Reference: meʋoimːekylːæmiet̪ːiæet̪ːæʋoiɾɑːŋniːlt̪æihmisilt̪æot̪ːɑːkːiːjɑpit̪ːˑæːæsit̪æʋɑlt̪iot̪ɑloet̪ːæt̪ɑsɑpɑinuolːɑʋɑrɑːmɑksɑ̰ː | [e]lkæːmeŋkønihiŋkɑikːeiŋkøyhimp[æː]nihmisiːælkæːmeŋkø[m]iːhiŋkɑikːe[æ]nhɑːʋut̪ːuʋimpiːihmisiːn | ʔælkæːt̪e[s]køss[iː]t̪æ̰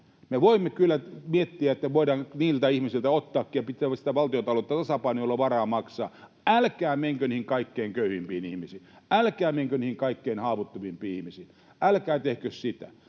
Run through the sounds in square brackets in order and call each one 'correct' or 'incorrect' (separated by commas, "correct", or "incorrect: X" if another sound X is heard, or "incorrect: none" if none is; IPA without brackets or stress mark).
incorrect: æ, incorrect: iː, incorrect: n, incorrect: i, incorrect: h, incorrect: i